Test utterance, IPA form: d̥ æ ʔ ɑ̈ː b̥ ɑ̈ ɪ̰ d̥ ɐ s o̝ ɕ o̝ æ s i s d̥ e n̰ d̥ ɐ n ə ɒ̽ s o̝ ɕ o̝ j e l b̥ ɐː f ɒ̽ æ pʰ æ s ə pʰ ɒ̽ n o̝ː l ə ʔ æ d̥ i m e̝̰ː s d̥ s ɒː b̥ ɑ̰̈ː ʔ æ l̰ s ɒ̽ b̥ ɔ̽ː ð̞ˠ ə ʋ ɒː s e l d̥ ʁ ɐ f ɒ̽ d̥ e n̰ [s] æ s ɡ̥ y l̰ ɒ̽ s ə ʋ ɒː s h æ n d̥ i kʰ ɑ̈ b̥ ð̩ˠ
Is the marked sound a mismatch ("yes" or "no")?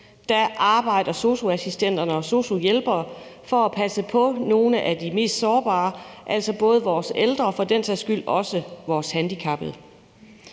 no